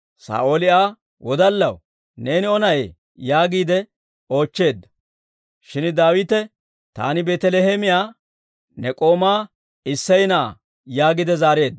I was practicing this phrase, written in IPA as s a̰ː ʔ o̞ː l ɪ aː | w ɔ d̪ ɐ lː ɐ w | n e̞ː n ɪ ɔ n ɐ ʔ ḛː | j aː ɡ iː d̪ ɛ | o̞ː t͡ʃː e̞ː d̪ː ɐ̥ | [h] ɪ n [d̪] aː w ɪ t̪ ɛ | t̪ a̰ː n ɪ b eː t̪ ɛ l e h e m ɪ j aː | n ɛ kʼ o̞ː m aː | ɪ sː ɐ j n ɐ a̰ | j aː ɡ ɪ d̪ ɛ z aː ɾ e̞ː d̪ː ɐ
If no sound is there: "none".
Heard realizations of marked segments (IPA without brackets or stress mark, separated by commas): ʃ, d̪